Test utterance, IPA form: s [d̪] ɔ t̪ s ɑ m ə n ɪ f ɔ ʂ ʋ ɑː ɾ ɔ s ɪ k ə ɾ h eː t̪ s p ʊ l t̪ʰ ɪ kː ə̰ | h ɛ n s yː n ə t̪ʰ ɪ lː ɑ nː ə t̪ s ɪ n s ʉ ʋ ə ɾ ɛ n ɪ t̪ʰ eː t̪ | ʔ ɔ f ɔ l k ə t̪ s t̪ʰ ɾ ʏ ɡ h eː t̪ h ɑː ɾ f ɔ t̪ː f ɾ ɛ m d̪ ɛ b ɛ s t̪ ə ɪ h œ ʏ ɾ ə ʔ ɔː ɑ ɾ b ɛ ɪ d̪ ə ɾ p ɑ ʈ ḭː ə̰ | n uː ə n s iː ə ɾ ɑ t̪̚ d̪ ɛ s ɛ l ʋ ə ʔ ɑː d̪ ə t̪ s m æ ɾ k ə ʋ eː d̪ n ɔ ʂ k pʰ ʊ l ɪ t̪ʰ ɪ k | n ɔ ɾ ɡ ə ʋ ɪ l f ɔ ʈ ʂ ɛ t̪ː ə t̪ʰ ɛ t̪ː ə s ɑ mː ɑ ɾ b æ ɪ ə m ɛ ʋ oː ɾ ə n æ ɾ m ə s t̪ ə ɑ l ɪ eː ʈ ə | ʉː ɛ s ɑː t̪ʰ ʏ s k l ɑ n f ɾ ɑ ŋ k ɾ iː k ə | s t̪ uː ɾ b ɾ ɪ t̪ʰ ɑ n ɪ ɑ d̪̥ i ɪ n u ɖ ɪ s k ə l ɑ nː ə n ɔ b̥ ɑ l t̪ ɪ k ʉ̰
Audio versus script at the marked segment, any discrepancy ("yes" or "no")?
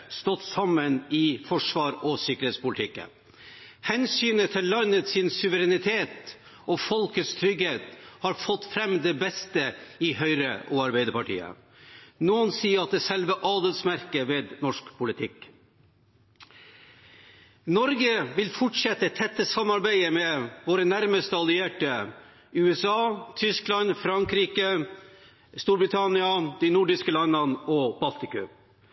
yes